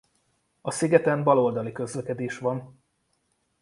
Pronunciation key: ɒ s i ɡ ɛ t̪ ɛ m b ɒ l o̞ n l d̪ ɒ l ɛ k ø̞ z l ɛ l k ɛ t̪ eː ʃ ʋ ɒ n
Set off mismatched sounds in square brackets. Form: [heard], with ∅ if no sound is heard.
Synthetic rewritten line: ɒ s i ɡ ɛ t̪ ɛ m b ɒ l o̞ [∅] l d̪ ɒ l [i] k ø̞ z l ɛ [∅] k ɛ [d̪] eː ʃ ʋ ɒ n

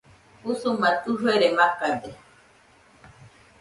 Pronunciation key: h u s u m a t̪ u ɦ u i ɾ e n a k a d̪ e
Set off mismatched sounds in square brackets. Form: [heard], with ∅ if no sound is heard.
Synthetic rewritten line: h u s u m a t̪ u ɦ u [e] ɾ e [m] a k a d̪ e

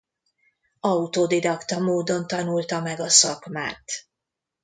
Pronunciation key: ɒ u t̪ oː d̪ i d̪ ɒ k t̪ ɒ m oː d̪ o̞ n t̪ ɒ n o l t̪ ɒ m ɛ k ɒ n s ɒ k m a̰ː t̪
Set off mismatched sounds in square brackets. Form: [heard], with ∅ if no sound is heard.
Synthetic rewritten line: ɒ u t̪ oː d̪ i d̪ ɒ k t̪ ɒ m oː d̪ o̞ n t̪ ɒ n [u] l t̪ ɒ m ɛ [ɡ] ɒ [∅] s ɒ k m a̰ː t̪

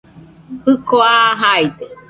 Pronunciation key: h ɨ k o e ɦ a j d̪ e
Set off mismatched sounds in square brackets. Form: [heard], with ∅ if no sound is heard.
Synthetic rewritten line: h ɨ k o [a] ɦ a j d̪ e

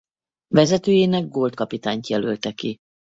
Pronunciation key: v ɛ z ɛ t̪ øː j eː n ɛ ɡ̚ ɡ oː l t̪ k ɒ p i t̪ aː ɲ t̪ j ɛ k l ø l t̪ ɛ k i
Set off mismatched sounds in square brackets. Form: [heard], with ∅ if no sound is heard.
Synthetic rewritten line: v ɛ z ɛ t̪ øː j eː n ɛ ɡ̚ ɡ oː l t̪ k ɒ p i t̪ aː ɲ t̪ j ɛ [∅] l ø l t̪ ɛ k i

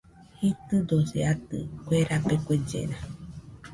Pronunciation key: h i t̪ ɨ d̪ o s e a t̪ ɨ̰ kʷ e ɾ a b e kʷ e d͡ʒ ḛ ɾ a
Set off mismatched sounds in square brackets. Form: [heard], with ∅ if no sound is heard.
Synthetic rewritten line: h i t̪ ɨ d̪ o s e a t̪ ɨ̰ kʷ e ɾ a [p] e kʷ e d͡ʒ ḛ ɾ a

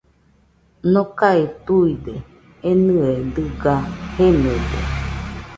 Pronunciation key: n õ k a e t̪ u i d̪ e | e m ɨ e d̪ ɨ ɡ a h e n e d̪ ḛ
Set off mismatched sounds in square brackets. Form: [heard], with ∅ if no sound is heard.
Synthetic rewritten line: n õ k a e t̪ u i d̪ e | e [n] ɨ e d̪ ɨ ɡ a h e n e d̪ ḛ

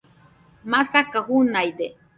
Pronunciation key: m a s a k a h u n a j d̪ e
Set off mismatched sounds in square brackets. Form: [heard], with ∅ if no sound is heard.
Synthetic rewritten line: m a s a k a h u n a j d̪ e

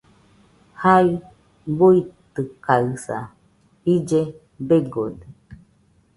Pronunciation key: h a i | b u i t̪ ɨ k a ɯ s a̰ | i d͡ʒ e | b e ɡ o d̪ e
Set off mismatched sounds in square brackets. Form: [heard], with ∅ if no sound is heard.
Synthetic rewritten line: h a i | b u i t̪ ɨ k a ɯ s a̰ | i d͡ʒ e | b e ɡ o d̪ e

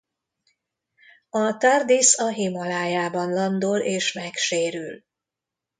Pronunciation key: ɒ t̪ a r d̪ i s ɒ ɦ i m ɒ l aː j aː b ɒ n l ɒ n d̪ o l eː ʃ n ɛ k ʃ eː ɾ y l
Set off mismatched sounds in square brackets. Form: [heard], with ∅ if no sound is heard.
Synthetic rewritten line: ɒ t̪ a r d̪ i s ɒ ɦ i m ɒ l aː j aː b ɒ n l ɒ n d̪ o l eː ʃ [m] ɛ k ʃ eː ɾ y l

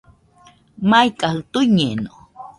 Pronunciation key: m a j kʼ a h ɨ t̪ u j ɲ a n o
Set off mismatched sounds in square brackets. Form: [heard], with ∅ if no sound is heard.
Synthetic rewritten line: m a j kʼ a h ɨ t̪ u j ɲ [e] n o

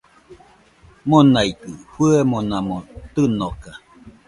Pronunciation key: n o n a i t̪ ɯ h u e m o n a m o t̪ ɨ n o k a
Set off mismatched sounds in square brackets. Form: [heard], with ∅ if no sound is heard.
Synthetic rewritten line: [m] o n a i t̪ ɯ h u e m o n a m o t̪ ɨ n o k a

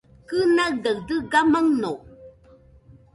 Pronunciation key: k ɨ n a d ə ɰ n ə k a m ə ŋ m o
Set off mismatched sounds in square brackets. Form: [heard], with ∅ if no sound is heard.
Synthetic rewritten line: k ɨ n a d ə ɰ [d] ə [ɡ] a m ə ŋ [n] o

